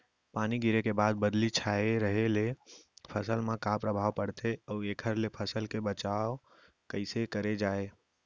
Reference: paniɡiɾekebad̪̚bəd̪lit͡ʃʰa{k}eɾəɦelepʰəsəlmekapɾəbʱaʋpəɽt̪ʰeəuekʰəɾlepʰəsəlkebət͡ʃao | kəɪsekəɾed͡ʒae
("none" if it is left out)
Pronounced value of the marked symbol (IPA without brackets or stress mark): none